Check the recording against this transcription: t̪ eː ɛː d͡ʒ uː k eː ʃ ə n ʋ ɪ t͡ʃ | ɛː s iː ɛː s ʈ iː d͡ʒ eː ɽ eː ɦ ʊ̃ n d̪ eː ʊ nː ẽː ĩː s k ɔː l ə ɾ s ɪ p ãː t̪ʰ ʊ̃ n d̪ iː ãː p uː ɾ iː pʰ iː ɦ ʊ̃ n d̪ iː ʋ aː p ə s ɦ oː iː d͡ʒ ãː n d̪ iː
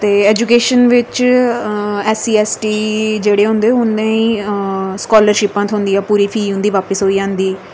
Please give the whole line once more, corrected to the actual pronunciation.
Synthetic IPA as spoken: t̪ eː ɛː d͡ʒ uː k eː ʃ ə n ʋ ɪ t͡ʃ | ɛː s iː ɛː s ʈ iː d͡ʒ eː ɽ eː ɦ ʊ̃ n d̪ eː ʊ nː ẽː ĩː s k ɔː l ə ɾ ʃ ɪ p ãː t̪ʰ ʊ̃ n d̪ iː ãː p uː ɾ iː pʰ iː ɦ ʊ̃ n d̪ iː ʋ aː p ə s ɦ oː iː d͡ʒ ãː n d̪ iː

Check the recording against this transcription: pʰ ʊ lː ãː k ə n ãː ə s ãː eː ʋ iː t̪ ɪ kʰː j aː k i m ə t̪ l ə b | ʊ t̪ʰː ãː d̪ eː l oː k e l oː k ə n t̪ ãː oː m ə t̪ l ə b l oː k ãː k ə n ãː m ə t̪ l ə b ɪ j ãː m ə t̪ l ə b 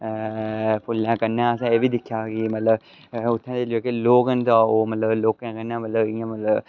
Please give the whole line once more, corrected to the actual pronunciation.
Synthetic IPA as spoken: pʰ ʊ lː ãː k ə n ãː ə s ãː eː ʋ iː d̪ ɪ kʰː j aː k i m ə t̪ l ə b | ʊ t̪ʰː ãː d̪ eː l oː k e l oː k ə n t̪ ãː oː m ə t̪ l ə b l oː k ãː k ə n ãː m ə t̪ l ə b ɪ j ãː m ə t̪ l ə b

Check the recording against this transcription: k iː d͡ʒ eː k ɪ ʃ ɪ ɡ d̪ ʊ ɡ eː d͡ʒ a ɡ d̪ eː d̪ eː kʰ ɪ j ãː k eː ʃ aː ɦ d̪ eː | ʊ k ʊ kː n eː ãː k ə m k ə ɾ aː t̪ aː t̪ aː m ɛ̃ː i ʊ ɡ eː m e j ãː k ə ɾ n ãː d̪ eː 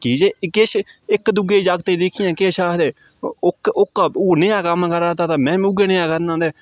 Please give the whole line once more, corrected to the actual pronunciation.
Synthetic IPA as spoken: k iː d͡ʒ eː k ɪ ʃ ɪ k d̪ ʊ ɡ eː d͡ʒ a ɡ t̪ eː d̪ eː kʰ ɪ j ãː k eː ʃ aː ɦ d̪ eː | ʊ k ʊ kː n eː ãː k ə m k ə ɾ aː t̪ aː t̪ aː m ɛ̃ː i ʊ ɡ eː n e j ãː k ə ɾ n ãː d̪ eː

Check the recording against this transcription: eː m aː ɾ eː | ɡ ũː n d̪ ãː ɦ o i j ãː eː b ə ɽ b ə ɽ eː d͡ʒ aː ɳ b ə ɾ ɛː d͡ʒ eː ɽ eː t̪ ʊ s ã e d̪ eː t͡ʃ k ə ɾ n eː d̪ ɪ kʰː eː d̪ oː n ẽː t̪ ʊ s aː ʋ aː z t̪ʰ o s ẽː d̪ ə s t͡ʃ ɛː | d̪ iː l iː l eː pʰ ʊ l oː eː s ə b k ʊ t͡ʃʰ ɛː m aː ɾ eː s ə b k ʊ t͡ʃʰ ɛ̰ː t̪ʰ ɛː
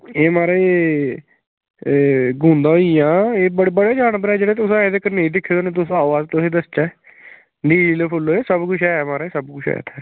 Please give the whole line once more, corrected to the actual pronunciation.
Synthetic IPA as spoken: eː m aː ɾ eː | ɡ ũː n d̪ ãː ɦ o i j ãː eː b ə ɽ b ə ɽ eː d͡ʒ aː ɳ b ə ɾ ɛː d͡ʒ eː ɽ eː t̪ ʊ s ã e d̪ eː k ə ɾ n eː d̪ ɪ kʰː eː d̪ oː n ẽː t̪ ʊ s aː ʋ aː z t̪ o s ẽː d̪ ə s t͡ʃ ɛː | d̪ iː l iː l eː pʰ ʊ l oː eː s ə b k ʊ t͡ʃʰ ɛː m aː ɾ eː s ə b k ʊ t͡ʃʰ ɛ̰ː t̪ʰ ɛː

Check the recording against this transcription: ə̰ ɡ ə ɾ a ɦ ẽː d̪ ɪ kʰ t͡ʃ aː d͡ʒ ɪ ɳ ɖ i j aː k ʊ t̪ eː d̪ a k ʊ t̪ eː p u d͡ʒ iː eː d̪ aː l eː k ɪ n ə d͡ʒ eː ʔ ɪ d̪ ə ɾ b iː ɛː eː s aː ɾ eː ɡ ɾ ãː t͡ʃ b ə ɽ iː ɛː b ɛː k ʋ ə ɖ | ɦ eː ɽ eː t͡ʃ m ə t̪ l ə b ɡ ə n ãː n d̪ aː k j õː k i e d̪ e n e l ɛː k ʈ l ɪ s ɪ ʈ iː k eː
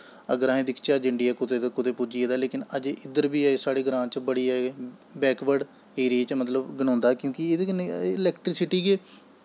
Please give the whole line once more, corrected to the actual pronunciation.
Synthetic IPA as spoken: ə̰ ɡ ə ɾ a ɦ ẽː d̪ ɪ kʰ t͡ʃ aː d͡ʒ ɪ ɳ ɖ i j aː k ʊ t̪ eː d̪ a k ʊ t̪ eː p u d͡ʒ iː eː d̪ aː l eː k ɪ n ə d͡ʒ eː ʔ ɪ d̪ ə ɾ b iː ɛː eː s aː ɽ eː ɡ ɾ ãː t͡ʃ b ə ɽ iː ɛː b ɛː k ʋ ə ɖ | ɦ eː ɾ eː t͡ʃ m ə t̪ l ə b ɡ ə n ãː n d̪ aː k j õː k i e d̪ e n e l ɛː k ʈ ɾ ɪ s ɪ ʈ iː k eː

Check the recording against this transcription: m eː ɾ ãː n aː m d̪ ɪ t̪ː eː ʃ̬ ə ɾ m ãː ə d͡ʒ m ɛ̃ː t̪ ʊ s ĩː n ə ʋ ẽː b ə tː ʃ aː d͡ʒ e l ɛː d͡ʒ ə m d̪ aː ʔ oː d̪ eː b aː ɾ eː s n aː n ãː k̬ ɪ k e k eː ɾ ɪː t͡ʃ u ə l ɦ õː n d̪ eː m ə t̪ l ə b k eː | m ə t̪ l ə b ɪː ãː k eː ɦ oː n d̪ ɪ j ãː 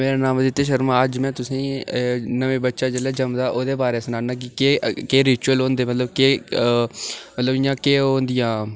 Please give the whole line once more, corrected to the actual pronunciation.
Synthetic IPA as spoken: m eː ɾ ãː n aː m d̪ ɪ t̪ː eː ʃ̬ ə ɾ m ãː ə d͡ʒ m ɛ̃ː t̪ ʊ s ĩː n ə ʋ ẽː b ə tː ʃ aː d͡ʒ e l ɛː d͡ʒ ə m d̪ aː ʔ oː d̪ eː b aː ɾ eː s n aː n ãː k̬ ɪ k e k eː ɾ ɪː t͡ʃ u ə l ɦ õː n d̪ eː m ə t̪ l ə b k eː | m ə t̪ l ə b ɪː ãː k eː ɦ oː n d̪ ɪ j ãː

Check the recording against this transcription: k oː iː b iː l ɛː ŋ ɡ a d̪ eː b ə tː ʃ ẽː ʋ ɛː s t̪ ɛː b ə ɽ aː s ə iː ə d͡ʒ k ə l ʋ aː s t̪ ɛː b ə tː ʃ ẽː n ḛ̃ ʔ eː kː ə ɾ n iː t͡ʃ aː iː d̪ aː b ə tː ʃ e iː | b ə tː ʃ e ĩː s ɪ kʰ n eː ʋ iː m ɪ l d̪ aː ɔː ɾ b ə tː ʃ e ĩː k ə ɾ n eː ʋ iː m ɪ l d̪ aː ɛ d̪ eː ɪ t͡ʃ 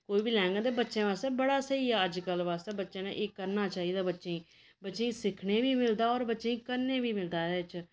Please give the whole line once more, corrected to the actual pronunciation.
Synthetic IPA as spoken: k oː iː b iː l ɛː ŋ ɡ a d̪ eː b ə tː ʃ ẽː ʋ aː s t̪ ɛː b ə ɽ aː s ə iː ə d͡ʒ k ə l ʋ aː s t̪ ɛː b ə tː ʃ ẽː n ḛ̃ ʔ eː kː ə ɾ n aː t͡ʃ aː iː d̪ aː b ə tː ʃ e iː | b ə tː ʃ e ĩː s ɪ kʰ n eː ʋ iː m ɪ l d̪ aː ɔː ɾ b ə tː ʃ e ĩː k ə ɾ n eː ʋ iː m ɪ l d̪ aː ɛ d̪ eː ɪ t͡ʃ

